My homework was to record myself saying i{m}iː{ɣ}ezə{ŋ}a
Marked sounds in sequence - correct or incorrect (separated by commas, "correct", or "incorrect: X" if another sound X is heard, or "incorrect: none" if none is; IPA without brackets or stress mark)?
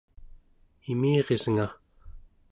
correct, incorrect: ʁ, correct